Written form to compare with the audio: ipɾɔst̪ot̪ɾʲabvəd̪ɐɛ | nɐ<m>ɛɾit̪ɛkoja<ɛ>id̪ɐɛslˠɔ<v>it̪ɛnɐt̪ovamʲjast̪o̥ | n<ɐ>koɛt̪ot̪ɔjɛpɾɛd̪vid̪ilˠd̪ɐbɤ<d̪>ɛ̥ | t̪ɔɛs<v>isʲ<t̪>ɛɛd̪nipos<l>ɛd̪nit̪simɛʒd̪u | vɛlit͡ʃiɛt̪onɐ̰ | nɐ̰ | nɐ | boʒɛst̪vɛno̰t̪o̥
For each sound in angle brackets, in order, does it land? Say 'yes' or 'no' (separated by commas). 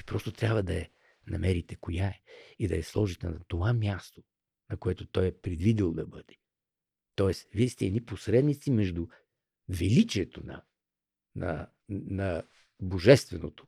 yes, yes, no, yes, yes, yes, yes, no